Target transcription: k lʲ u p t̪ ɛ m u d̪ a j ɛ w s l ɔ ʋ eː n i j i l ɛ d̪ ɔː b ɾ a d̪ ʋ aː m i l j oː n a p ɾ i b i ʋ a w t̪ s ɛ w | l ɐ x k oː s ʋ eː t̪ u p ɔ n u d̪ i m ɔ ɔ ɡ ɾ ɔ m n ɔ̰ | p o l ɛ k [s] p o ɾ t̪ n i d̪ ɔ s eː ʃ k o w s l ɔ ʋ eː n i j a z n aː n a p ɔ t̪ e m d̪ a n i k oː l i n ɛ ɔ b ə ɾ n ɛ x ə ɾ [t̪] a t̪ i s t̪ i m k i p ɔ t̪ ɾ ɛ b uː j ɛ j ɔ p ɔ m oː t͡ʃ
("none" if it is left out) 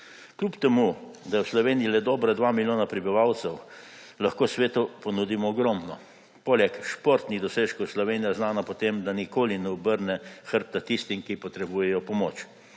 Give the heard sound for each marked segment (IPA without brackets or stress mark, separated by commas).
ʃ, t̪